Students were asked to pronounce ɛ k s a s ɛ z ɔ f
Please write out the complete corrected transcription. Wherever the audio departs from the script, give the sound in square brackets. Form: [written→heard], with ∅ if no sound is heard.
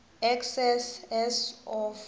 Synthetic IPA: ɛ k s [a→ɛ] s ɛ [z→s] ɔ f